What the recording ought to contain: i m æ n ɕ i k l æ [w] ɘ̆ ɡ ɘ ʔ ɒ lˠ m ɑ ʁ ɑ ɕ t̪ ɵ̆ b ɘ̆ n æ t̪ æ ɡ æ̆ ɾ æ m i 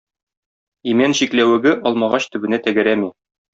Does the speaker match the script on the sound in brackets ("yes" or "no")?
yes